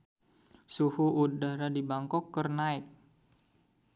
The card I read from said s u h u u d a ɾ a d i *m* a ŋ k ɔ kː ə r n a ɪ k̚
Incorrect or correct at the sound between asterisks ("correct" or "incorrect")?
incorrect